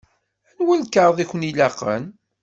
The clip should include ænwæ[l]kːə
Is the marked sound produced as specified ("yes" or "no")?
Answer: yes